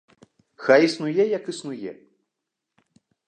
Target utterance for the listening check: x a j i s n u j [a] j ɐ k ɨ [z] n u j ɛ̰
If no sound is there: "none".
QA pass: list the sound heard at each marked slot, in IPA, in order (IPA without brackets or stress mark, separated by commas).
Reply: ɛ, s